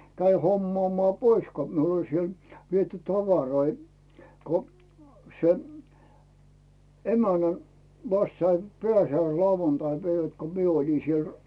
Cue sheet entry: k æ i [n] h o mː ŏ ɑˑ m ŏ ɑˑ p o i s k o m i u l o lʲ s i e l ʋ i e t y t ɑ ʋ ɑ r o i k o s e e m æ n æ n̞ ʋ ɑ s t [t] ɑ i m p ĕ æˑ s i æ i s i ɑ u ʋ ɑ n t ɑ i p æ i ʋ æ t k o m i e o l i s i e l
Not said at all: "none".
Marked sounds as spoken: none, s

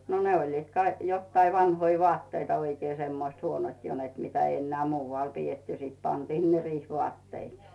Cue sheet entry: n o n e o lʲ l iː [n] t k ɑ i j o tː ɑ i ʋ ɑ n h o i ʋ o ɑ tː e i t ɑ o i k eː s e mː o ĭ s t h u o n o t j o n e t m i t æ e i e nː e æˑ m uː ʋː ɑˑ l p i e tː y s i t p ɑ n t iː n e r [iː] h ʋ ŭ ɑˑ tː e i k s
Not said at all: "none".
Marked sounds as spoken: none, iː

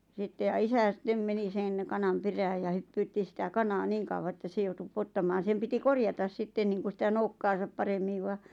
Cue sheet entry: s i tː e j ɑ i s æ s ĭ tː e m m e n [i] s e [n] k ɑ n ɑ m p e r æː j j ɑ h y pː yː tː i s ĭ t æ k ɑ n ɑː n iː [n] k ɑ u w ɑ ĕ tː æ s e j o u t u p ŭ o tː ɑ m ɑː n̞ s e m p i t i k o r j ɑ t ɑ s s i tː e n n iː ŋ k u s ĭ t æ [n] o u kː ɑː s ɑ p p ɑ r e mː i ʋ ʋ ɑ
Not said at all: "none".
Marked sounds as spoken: i, n, ŋ, n

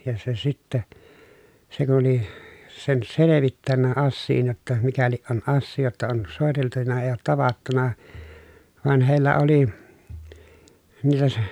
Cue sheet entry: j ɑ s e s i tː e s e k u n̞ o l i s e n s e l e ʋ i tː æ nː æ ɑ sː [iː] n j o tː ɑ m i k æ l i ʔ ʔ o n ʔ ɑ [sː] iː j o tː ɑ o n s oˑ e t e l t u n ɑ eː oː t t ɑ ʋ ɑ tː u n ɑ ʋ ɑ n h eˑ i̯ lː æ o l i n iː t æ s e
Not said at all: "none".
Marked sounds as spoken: iː, sː

